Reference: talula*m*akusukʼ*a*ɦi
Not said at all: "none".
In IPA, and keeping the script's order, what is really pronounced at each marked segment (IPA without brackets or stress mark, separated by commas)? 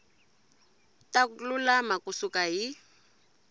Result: m, a